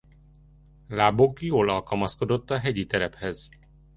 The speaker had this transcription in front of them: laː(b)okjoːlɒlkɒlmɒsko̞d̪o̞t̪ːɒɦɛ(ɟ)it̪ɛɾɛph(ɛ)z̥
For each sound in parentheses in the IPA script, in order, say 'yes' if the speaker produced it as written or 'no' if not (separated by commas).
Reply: yes, yes, yes